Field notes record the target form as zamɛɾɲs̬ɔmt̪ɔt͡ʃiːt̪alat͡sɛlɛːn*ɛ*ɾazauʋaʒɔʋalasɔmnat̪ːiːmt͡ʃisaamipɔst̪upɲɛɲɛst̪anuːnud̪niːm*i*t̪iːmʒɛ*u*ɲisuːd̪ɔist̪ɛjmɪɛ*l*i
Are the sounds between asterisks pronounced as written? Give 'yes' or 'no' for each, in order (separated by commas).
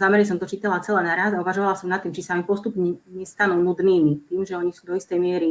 no, yes, no, no